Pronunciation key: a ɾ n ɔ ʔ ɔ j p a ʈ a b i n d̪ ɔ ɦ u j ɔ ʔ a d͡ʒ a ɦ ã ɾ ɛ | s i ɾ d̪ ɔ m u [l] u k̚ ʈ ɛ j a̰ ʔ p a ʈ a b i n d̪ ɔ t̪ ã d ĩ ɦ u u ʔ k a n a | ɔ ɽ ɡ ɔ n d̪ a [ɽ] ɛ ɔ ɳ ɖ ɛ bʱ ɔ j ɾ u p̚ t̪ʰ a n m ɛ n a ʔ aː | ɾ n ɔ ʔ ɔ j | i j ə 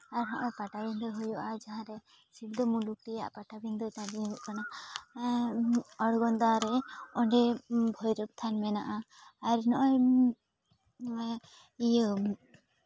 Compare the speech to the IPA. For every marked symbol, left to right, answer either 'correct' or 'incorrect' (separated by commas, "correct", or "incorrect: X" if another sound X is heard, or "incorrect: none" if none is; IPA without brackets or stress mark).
correct, incorrect: ɾ